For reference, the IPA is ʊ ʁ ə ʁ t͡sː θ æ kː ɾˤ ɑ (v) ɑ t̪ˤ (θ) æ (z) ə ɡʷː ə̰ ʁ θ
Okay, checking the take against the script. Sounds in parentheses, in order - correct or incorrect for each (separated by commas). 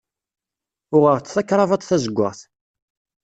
correct, correct, correct